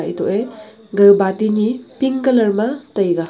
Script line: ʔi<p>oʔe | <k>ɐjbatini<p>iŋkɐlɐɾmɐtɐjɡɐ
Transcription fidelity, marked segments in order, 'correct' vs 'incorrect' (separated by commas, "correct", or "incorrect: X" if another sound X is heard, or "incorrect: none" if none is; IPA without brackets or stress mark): incorrect: t, incorrect: ɡ, correct